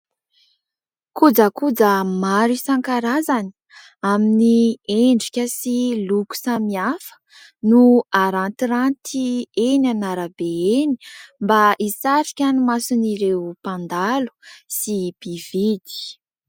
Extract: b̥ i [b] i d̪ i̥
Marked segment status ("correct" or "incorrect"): incorrect